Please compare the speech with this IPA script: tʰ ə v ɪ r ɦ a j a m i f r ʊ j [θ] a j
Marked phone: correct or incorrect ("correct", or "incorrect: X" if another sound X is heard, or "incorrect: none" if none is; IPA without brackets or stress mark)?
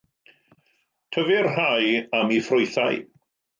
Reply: correct